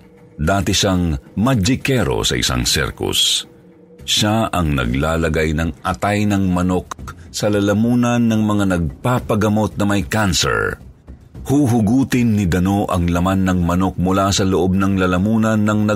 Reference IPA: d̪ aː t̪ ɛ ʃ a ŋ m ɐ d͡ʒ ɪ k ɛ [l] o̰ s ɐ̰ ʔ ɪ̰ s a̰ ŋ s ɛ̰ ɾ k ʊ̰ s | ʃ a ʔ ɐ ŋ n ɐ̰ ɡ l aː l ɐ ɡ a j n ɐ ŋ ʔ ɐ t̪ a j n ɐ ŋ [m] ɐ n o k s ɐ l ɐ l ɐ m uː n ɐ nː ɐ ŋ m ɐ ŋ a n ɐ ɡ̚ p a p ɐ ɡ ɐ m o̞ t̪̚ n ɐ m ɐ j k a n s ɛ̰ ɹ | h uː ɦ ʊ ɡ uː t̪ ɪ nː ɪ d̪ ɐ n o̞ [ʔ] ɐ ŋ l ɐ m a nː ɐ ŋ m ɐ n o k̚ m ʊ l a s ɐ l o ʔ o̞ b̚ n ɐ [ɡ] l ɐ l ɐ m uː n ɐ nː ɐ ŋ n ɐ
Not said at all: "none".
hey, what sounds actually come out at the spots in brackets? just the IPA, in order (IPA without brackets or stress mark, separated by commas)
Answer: ɾ, m, ʔ, ŋ